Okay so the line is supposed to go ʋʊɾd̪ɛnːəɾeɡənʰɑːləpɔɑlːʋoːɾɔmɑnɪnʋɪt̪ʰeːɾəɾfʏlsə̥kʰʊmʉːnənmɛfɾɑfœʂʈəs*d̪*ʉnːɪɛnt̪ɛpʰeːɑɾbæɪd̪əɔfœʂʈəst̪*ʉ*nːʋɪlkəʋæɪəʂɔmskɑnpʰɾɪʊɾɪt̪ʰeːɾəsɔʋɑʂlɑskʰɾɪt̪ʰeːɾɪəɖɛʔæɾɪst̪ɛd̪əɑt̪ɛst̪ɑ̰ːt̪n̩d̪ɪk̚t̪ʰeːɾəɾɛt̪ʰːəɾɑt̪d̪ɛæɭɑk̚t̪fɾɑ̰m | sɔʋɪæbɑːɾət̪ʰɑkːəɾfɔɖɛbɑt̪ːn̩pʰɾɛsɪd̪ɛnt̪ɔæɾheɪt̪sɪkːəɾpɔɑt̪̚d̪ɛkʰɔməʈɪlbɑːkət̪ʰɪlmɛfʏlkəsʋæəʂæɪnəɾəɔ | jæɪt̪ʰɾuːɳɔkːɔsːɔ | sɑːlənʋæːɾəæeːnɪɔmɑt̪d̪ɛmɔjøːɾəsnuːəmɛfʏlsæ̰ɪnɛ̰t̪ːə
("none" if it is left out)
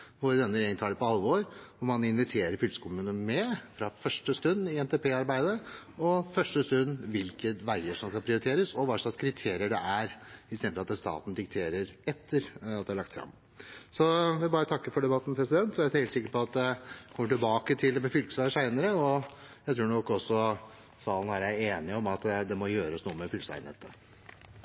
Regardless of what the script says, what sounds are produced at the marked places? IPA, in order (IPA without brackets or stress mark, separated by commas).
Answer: t̪, ʉ